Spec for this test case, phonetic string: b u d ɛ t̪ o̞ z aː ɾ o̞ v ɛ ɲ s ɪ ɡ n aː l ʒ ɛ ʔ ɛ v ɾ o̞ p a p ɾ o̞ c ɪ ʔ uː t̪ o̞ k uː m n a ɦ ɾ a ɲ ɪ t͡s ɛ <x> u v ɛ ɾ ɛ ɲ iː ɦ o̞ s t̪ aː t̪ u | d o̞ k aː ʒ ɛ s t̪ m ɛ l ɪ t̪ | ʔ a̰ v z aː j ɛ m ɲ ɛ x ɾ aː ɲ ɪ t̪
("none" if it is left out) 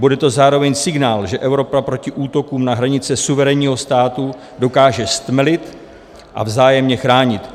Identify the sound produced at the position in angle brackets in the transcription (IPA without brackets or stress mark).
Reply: s